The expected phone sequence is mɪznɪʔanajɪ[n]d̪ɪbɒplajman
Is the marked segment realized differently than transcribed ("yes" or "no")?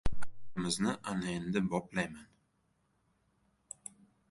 no